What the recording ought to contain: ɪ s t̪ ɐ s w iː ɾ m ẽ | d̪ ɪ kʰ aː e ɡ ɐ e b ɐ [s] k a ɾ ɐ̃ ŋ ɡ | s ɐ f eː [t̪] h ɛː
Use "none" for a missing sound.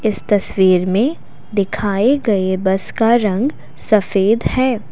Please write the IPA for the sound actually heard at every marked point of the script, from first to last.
s, d̪

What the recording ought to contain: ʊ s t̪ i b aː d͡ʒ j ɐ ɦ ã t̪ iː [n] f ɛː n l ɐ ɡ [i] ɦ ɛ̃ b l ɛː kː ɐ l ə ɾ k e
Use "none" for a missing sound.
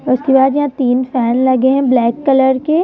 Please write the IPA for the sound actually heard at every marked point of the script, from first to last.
n, e

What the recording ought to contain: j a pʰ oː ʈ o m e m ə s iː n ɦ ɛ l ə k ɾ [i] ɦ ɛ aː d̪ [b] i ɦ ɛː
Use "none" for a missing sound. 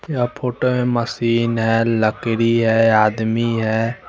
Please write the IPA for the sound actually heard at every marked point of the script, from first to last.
i, m

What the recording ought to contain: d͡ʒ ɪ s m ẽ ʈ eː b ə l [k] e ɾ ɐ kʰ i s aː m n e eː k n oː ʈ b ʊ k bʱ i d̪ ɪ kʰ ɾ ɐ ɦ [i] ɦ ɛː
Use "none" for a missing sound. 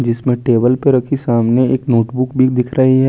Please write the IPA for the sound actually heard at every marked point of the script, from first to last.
p, i

